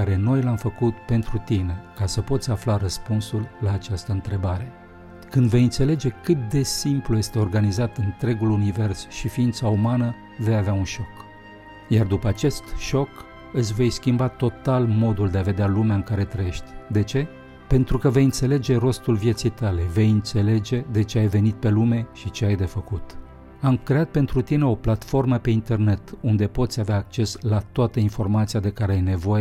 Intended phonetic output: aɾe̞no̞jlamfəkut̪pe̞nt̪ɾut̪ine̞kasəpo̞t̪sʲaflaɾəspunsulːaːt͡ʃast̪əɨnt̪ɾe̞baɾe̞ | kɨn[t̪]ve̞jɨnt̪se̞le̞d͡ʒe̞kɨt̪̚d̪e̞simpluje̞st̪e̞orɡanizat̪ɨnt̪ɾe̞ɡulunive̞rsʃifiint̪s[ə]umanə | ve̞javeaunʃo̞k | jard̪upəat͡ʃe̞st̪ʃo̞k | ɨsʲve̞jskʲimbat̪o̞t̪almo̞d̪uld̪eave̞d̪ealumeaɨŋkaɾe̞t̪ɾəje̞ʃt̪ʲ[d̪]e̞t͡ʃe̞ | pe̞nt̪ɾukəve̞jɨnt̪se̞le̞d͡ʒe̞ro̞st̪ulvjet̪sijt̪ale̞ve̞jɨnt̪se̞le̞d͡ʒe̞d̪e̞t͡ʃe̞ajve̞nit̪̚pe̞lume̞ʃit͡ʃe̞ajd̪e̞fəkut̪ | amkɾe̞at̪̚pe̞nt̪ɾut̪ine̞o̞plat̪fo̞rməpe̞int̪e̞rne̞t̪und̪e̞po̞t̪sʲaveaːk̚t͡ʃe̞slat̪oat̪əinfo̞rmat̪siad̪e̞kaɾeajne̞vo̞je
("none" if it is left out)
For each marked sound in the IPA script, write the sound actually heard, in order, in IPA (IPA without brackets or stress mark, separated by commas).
d̪, a, d̪